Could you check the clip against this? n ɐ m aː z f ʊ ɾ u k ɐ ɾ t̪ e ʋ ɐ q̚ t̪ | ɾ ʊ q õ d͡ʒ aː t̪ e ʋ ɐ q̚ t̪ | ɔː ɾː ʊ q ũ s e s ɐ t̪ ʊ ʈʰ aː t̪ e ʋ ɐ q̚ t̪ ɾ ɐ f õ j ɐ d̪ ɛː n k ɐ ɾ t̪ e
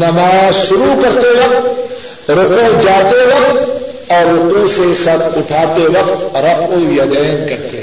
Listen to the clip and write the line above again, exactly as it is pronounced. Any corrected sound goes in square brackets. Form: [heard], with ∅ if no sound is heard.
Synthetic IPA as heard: n ɐ m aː z [ʃ] ʊ ɾ u k ɐ ɾ t̪ e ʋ ɐ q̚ t̪ | ɾ ʊ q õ d͡ʒ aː t̪ e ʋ ɐ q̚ t̪ | ɔː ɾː ʊ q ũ s e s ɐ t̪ ʊ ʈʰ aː t̪ e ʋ ɐ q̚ t̪ ɾ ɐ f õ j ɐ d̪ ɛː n k ɐ ɾ t̪ e